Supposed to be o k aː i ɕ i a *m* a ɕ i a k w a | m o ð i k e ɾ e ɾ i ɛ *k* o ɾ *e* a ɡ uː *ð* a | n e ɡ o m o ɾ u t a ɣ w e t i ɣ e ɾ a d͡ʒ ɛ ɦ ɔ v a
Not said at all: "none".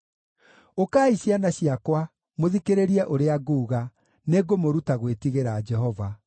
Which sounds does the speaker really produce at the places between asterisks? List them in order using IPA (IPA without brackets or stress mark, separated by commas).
n, ʔ, e, ɣ